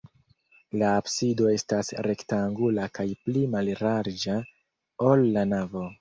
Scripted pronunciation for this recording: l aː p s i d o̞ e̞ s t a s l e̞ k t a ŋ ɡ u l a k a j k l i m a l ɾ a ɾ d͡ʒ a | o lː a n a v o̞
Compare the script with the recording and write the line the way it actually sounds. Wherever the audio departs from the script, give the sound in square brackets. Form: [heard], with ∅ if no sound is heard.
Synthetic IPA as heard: l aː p s i d o̞ e̞ s t a s [ɾ] e̞ k t a ŋ ɡ u l a k a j [p] l i m a l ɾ a ɾ d͡ʒ a | o lː a n a v o̞